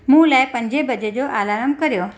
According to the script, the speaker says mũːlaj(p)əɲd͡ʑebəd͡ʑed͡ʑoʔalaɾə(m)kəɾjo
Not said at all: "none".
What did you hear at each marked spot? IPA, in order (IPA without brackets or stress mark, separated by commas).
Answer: p, m